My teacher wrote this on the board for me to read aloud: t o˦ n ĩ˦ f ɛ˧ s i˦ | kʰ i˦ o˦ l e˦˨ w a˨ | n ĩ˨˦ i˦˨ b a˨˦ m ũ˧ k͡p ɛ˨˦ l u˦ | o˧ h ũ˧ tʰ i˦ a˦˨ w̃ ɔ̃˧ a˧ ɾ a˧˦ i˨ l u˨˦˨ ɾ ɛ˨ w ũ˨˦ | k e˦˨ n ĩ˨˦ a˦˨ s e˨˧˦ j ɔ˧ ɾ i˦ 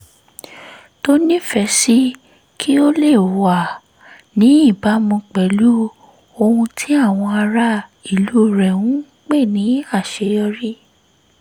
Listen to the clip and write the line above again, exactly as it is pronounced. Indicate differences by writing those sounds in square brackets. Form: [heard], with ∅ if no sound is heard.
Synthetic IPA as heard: t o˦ n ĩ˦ f ɛ˧ s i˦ | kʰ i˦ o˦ l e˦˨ w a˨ | n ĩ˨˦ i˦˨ b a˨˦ m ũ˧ k͡p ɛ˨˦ l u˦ | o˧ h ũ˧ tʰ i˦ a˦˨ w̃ ɔ̃˧ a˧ ɾ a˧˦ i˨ l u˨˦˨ ɾ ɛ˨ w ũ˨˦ | [k͡p] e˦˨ n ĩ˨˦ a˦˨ [ʃ] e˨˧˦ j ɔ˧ ɾ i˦